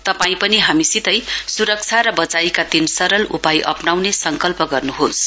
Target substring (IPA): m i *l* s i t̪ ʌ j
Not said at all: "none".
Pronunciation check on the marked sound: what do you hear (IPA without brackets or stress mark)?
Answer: none